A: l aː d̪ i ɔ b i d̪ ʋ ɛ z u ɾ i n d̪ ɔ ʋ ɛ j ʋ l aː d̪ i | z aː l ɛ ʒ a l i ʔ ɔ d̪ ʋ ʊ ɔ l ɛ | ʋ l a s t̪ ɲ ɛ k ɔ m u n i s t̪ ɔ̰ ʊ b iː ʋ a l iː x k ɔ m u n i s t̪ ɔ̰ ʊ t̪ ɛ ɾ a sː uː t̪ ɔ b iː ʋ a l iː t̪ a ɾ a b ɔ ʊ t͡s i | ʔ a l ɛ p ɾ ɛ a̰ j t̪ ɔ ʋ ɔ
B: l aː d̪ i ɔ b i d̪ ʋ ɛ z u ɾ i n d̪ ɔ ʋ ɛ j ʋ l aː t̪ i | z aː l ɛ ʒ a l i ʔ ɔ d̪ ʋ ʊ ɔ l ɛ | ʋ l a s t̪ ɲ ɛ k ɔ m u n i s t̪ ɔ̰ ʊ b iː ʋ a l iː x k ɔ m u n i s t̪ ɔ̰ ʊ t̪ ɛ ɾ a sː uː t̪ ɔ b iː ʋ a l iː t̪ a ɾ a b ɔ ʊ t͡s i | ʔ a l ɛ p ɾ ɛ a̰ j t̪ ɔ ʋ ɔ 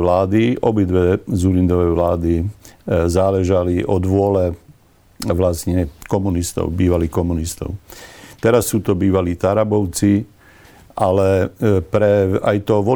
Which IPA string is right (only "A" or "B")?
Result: A